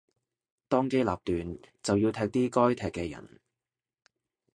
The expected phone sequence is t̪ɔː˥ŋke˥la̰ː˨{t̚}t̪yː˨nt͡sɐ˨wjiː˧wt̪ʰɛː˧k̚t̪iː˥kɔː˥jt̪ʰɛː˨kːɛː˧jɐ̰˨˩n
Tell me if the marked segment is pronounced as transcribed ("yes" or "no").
no